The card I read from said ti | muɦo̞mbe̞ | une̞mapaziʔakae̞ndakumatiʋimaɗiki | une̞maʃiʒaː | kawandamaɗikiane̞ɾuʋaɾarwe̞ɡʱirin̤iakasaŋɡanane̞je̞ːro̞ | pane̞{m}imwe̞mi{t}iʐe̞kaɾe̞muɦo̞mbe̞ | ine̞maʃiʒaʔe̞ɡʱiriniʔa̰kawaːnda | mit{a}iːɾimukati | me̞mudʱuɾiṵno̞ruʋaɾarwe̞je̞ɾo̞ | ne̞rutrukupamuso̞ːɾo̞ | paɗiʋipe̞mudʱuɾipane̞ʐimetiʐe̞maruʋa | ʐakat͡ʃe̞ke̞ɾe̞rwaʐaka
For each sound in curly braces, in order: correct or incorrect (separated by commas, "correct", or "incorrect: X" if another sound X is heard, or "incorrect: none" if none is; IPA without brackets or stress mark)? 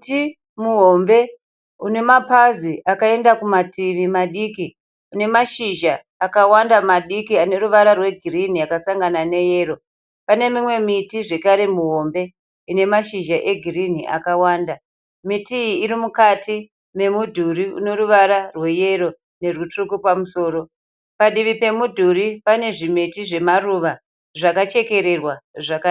correct, correct, incorrect: i